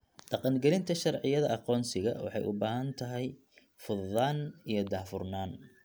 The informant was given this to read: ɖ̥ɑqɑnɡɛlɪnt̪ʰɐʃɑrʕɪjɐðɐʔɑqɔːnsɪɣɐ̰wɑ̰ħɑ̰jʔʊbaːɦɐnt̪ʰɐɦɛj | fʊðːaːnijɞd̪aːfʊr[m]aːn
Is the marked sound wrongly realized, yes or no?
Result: yes